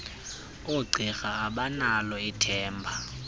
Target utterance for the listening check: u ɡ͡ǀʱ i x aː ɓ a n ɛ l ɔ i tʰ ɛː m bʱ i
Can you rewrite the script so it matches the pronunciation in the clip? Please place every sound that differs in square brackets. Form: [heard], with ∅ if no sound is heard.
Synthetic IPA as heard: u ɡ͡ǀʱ i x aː ɓ a n [a] l ɔ i tʰ ɛː m bʱ [a]